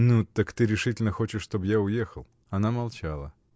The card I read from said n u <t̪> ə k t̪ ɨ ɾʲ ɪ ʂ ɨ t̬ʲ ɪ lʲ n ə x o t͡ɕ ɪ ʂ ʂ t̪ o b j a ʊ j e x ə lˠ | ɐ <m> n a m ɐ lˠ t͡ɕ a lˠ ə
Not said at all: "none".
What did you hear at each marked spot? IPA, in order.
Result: t̪, none

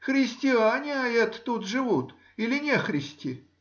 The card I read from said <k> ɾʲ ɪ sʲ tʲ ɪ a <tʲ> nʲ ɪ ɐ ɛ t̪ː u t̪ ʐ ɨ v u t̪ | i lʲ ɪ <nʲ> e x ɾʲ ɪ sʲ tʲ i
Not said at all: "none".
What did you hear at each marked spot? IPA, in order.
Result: x, none, nʲ

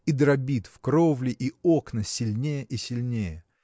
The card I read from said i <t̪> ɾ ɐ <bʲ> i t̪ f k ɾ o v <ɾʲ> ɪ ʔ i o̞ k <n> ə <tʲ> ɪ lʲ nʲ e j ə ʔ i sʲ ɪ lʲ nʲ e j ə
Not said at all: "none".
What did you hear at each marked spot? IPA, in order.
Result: d̪, bʲ, lʲ, n, sʲ

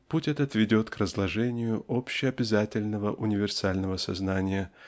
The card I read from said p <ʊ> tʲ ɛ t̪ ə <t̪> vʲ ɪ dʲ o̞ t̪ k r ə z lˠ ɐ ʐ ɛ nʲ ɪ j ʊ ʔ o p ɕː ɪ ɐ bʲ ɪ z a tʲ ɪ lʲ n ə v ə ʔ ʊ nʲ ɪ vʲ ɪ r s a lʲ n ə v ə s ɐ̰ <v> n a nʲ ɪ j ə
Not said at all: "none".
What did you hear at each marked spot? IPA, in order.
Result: u, t̪, z

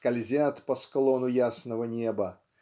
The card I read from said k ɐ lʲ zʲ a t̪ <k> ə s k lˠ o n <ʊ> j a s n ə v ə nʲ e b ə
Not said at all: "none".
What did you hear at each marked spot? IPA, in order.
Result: p, ʊ

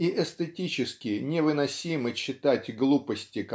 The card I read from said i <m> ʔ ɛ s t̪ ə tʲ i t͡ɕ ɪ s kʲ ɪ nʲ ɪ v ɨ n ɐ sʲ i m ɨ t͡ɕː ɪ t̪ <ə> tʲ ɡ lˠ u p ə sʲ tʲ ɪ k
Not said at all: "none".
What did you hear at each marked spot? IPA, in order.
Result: none, a

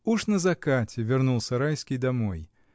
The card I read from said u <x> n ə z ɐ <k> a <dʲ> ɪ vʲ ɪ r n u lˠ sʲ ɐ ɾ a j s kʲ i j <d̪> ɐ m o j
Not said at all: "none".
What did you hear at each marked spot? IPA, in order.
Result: ʂ, k, tʲ, d̪

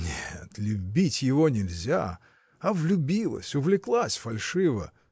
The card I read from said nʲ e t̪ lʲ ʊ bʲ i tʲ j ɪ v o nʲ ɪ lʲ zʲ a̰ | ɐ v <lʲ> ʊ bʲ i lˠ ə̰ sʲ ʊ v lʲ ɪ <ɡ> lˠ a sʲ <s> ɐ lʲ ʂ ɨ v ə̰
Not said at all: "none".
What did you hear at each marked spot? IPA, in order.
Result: lʲ, k, f

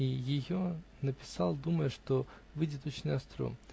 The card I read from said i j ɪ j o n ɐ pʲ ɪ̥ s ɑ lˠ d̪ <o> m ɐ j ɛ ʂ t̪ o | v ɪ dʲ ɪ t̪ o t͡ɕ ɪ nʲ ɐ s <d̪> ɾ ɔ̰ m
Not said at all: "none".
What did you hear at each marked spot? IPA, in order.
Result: u, t̪

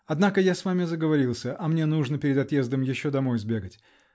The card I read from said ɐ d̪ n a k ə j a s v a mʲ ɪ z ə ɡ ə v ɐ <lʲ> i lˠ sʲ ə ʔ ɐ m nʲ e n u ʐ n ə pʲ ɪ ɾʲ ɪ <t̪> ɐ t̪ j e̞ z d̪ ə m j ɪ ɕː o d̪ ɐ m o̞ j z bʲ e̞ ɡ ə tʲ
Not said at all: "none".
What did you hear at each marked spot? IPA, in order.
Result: ɾʲ, d̪

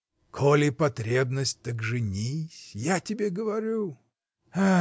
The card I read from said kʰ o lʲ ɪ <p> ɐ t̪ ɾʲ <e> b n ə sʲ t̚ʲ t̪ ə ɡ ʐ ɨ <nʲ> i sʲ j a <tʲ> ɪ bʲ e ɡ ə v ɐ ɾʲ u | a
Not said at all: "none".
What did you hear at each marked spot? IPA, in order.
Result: p, e, nʲ, tʲ

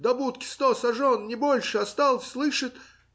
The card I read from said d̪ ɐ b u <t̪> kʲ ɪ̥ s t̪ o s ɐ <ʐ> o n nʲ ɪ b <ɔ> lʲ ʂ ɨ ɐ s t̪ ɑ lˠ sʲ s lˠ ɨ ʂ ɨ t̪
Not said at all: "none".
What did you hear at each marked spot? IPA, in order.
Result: t̪, ʐ, o

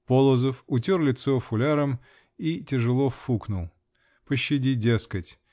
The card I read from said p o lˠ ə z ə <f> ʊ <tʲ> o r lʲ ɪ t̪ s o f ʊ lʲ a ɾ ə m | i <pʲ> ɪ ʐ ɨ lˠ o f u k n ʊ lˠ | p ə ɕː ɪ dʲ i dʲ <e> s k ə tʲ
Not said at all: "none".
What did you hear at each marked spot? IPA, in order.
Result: f, tʲ, tʲ, e

